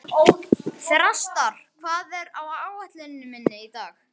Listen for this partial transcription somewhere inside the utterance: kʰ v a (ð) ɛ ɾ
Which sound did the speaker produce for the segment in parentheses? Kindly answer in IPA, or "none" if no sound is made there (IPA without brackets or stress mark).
ð